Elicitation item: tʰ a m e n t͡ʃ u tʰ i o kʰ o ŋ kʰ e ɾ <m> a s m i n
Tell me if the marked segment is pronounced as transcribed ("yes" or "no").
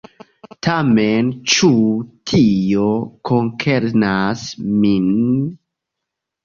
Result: no